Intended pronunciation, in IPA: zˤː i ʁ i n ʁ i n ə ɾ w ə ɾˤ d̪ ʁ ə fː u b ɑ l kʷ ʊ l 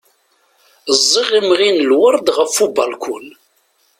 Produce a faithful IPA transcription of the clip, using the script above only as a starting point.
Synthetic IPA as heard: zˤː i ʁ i m ʁ i n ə l w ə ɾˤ d̪ ʁ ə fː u b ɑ l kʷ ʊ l